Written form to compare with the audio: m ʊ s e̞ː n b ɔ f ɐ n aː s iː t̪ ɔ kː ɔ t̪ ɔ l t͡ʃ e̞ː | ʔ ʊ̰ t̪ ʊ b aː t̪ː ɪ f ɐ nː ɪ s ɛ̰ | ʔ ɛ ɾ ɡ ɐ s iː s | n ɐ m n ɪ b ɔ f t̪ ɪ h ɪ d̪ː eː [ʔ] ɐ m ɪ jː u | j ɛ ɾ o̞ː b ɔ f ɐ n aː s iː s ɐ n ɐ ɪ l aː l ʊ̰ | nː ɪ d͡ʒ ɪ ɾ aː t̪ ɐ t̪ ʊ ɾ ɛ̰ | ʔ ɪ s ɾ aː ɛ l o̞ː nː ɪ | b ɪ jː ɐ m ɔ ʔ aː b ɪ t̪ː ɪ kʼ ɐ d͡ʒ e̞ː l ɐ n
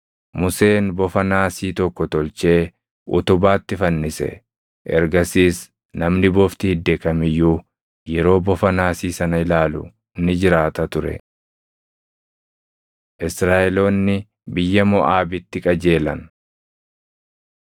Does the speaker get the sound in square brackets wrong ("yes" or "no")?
yes